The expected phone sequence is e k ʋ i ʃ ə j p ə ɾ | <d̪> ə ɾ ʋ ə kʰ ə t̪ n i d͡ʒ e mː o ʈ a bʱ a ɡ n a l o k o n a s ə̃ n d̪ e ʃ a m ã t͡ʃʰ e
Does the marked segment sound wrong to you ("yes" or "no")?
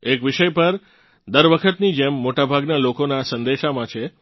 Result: no